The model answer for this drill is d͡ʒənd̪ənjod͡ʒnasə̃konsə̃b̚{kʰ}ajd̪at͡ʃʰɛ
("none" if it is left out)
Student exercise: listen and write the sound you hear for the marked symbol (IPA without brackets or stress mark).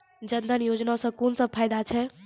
pʰ